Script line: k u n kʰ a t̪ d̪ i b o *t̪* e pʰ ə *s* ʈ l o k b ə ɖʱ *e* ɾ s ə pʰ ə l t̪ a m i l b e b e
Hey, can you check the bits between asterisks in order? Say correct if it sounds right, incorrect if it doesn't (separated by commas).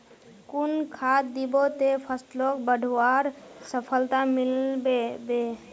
correct, correct, incorrect